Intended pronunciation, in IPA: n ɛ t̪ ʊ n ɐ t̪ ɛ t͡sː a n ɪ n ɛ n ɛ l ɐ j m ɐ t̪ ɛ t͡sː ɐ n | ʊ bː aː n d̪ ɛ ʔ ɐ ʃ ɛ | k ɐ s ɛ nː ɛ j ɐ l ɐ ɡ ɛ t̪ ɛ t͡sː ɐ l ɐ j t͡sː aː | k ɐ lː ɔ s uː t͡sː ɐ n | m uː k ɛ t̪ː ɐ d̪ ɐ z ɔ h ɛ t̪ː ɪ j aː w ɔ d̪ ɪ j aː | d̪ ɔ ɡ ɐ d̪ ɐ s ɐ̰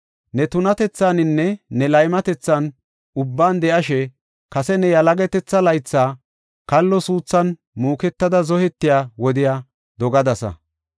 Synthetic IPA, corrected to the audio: n ɛ t̪ ʊ n ɐ t̪ ɛ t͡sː a n ɪ nː ɛ n ɛ l ɐ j m ɐ t̪ ɛ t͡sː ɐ n | ʊ bː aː n d̪ ɛ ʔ ɐ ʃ ɛ | k ɐ s ɛ n ɛ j ɐ l ɐ ɡ ɛ t̪ ɛ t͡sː ɐ l ɐ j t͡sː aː | k ɐ lː ɔ s uː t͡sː ɐ n | m uː k ɛ t̪ː ɐ d̪ ɐ z ɔ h ɛ t̪ː ɪ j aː w ɔ d̪ ɪ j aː | d̪ ɔ ɡ ɐ d̪ ɐ s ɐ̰